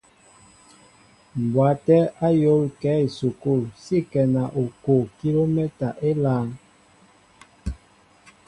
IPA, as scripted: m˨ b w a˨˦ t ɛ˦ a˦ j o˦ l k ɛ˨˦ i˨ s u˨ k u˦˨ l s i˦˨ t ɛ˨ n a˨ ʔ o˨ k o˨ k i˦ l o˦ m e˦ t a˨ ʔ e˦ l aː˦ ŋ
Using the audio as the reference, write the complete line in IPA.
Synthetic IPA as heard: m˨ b w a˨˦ t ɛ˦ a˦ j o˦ l k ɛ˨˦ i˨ s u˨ k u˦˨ l s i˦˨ k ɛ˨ n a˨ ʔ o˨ k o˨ k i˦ l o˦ m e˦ t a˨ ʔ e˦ l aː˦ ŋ